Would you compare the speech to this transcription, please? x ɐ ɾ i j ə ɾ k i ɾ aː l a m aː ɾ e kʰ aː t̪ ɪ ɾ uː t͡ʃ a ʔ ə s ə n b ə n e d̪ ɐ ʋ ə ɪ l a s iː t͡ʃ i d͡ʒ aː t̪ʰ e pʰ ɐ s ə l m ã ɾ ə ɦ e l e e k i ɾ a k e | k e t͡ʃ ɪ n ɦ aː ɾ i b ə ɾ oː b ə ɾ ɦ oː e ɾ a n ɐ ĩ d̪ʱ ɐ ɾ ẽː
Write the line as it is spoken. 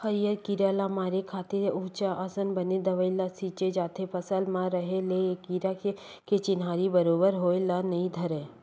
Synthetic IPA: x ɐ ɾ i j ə ɾ k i ɾ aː l a m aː ɾ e kʰ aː t̪ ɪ ɾ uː t͡ʃ a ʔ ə s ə n b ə n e d̪ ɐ ʋ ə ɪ l a s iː t͡ʃ e d͡ʒ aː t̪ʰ e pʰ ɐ s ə l m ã ɾ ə ɦ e l e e k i ɾ a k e | k e t͡ʃ ɪ n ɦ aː ɾ i b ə ɾ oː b ə ɾ ɦ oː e l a n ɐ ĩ d̪ʱ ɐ ɾ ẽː